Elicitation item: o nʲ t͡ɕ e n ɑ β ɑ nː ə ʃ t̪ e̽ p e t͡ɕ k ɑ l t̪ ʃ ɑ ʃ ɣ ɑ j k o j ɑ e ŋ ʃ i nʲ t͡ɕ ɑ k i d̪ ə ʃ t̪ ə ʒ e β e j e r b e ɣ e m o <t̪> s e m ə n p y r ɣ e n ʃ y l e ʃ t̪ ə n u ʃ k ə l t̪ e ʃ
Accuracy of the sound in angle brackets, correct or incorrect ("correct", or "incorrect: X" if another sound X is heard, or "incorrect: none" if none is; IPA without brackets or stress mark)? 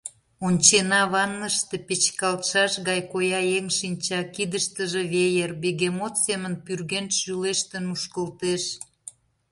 correct